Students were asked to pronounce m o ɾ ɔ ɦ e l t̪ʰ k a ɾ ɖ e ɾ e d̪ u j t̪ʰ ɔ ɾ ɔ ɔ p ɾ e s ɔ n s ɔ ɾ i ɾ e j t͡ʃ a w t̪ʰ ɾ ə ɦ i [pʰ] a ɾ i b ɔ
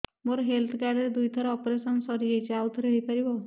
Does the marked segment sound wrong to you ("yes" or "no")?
yes